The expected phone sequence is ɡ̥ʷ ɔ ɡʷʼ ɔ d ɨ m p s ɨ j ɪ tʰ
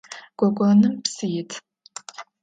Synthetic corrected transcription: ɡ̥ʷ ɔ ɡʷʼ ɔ n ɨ m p s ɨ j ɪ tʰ

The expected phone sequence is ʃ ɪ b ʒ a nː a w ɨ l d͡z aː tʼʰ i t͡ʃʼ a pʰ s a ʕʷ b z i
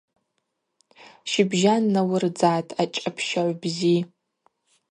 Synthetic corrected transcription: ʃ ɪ b ʒ a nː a w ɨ r d͡z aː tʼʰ a t͡ʃʼ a pʰ ʃ a ʕʷ b z i

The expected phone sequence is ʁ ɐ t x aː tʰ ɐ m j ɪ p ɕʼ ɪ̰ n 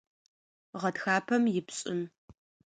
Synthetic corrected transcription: ʁ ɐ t x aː pʰ ɐ m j ɪ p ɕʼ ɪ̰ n

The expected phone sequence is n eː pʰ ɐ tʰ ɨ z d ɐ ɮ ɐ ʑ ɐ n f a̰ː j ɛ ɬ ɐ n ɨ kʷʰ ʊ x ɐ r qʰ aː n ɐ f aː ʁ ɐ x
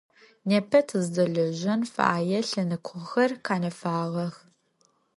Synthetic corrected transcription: n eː pʰ ɐ tʰ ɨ z d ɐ ɮ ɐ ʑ ɐ n f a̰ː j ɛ ɬ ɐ n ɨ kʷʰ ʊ x ɐ r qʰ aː n ɐ f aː ʁ ɐ x

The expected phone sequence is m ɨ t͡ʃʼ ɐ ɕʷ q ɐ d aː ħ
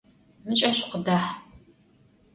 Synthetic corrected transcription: m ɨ t͡ʃʼ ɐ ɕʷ q ə d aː ħ

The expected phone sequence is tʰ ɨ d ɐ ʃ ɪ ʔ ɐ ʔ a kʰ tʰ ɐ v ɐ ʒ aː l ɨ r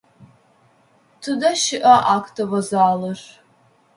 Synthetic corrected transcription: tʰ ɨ d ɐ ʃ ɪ ʔ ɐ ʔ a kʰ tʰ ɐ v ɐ z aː l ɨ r

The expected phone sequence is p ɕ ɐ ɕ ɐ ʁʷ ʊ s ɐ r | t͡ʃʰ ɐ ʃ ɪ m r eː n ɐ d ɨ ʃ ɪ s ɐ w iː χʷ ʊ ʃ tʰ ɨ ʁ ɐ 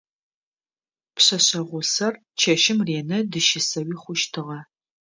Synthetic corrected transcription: p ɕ ɐ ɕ ɐ ʁʷ ʊ s ɐ r | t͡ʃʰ ɐ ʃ ɪ m r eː n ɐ d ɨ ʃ ɪ s ɐ w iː χʷ ʊ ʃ tʰ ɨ ʁ ɐ

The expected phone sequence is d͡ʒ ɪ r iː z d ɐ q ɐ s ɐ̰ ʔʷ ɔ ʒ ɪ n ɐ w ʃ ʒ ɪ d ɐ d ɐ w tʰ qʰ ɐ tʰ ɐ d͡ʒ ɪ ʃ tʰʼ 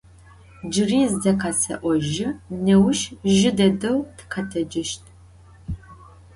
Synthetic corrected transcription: d͡ʒ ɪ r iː z d ɐ q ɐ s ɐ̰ ʔʷ ɔ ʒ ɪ n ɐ w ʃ ʒ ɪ d ɐ d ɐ w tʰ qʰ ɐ tʰ ɐ d͡ʒ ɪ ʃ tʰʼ

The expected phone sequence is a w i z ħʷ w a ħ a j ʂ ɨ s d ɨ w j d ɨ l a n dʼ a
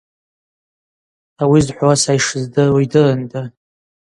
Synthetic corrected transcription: a w i z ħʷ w a s a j ʂ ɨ z d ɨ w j d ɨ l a n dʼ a

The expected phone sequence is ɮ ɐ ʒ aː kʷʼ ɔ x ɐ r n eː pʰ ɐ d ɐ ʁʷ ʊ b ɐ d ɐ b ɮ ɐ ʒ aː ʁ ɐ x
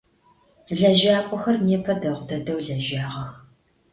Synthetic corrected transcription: ɮ ɐ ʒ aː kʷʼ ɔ x ɐ r n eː pʰ ɐ d ɐ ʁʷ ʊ d ɐ d ɐ w ɮ ɐ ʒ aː ʁ ɐ x

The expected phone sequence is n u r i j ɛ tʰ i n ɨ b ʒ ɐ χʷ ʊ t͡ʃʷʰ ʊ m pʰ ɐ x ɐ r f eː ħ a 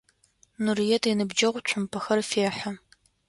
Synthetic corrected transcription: n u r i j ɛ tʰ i n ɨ b d͡ʒ ɐ ʁʷ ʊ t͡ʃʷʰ ʊ m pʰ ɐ x ɐ r f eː ħ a

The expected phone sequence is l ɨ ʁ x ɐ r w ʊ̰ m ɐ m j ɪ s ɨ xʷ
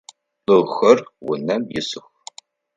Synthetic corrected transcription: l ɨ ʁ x ɐ r w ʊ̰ n ɐ m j ɪ s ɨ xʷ

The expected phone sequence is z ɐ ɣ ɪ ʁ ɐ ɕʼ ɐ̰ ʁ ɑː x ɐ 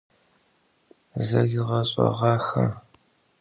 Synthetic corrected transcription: z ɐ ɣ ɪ ʁ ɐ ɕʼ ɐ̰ ʁ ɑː x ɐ

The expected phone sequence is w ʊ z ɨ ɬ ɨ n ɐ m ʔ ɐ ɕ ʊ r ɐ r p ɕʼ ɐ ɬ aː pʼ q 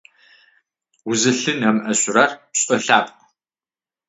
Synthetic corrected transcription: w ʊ z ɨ ɬ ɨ n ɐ m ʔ ɐ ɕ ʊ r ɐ r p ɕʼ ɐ ɬ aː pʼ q

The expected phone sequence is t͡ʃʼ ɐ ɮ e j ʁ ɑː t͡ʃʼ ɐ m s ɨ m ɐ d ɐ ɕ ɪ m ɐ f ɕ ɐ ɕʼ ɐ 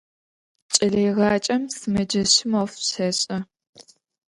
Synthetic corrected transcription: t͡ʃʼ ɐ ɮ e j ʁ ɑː t͡ʃʼ ɐ m s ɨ m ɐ d͡ʒ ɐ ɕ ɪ m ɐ f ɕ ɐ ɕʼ ɐ

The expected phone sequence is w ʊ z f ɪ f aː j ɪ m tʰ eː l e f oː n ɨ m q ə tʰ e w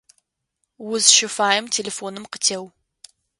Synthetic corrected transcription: w ʊ z ʃ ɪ f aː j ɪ m tʰ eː l e f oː n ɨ m q ə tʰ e w

